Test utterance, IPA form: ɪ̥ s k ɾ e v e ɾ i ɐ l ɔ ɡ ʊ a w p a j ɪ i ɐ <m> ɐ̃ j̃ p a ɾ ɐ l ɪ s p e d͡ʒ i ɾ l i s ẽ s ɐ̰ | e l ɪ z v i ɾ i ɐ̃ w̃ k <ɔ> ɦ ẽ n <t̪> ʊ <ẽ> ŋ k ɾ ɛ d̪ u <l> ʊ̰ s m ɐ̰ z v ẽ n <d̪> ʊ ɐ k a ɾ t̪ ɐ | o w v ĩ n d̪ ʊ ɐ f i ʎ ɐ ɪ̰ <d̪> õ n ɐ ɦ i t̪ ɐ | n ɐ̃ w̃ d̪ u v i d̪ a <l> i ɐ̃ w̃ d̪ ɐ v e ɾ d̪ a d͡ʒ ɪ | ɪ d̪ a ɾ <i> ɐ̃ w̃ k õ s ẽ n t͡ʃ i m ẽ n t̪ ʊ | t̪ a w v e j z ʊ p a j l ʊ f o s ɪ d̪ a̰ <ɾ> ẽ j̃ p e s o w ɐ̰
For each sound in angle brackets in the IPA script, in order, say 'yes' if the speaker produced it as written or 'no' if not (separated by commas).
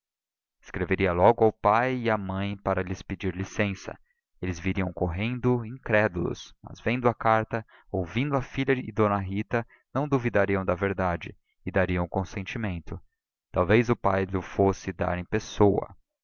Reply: yes, no, no, no, yes, yes, yes, no, yes, yes